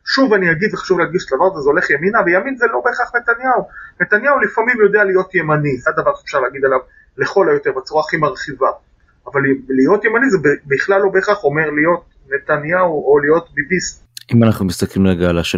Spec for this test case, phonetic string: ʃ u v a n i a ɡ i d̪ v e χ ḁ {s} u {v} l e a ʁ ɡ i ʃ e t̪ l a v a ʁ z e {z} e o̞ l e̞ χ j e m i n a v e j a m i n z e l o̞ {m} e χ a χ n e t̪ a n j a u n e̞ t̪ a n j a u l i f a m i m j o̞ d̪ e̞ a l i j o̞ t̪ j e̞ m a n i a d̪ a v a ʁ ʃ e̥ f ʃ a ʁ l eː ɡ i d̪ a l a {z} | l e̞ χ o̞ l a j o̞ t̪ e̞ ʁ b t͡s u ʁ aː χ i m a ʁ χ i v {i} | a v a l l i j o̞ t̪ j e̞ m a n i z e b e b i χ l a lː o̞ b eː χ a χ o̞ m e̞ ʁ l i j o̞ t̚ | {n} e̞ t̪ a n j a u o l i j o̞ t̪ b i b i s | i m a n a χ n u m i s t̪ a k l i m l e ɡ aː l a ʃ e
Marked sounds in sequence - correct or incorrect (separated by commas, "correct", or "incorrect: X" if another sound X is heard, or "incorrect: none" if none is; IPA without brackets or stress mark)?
incorrect: ʃ, correct, correct, incorrect: b, incorrect: v, incorrect: a, correct